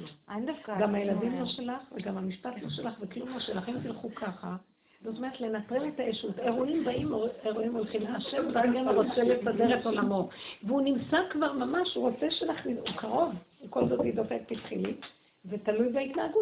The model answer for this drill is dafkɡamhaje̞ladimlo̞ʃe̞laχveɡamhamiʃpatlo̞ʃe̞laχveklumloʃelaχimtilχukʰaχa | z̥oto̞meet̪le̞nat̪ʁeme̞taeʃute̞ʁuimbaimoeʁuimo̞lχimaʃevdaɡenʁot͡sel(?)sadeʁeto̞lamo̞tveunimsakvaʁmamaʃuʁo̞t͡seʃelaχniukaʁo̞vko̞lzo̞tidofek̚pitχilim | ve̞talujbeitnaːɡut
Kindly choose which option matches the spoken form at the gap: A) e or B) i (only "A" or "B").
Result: A